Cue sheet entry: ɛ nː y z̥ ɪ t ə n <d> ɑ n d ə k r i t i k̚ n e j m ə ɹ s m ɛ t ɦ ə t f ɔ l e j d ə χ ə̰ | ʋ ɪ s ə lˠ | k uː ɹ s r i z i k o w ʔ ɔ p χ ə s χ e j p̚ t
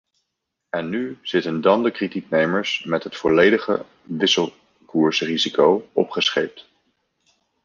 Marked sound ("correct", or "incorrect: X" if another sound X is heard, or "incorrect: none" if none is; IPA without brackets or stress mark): correct